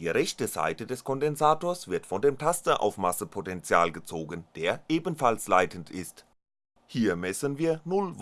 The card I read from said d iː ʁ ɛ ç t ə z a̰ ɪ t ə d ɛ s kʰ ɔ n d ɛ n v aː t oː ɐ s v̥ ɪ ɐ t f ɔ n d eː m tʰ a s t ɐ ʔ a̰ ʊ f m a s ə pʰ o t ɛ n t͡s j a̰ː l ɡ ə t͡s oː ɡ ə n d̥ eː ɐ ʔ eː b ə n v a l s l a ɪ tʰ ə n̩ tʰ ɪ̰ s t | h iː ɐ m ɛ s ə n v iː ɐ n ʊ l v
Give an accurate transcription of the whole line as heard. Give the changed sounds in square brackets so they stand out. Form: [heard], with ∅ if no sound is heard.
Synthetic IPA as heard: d iː ʁ ɛ ç t ə z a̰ ɪ t ə d ɛ s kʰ ɔ n d ɛ n [z] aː t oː ɐ s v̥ ɪ ɐ t f ɔ n d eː m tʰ a s t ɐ ʔ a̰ ʊ f m a s ə pʰ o t ɛ n t͡s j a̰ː l ɡ ə t͡s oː ɡ ə n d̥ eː ɐ ʔ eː b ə n [f] a l s l a ɪ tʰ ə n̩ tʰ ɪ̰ s t | h iː ɐ m ɛ s ə n v iː ɐ n ʊ l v